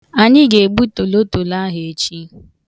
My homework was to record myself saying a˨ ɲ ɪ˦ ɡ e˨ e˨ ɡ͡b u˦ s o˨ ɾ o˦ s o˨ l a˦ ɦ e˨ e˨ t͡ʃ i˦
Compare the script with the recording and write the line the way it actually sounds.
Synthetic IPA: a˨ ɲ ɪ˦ ɡ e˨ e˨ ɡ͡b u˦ t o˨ l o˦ t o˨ l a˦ ɦ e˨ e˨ t͡ʃ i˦